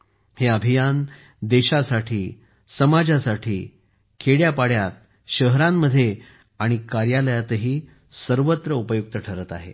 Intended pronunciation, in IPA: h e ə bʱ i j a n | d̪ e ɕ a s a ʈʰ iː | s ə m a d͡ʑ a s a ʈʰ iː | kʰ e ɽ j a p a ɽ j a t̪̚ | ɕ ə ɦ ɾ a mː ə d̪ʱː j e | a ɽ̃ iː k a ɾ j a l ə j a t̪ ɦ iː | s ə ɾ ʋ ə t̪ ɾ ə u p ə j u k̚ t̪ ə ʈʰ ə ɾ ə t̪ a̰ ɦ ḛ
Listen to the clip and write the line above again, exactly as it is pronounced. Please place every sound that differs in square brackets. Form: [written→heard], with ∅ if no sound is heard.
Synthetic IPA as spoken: h e ə bʱ i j a n | d̪ e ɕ a s a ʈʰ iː | s ə m a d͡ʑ a s a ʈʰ iː | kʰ e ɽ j a p a ɽ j a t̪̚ | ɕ ə ɦ ɾ a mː ə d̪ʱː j e | a ɽ̃ [iː→i] k a ɾ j a l ə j a t̪ ɦ iː | s ə ɾ ʋ ə t̪ ɾ ə u p ə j u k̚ t̪ ə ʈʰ ə ɾ ə t̪ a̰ ɦ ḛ